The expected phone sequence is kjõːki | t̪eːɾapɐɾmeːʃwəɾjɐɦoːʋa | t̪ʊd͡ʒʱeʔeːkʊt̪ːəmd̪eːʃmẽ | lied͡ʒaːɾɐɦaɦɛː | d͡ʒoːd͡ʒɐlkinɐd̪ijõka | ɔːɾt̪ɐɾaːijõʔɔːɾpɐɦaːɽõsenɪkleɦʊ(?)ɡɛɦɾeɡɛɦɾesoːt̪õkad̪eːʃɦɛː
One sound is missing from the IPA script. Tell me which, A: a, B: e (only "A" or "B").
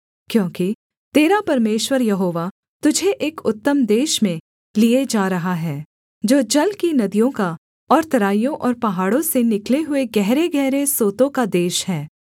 B